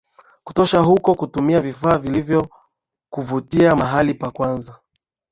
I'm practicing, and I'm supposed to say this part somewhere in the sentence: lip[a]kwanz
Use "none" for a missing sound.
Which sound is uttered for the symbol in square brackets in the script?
a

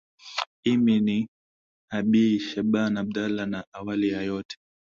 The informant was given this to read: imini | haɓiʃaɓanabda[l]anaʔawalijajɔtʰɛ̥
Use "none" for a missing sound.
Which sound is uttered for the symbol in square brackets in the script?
l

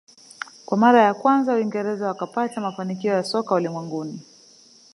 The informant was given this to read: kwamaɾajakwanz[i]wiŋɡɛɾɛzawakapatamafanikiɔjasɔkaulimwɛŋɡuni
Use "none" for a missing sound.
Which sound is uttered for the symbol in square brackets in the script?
a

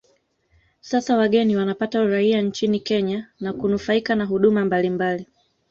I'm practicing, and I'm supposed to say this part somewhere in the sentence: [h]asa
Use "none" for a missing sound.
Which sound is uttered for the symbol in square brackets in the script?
s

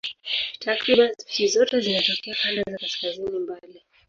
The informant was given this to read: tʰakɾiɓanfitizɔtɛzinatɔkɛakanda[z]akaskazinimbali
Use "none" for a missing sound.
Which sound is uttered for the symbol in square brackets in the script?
z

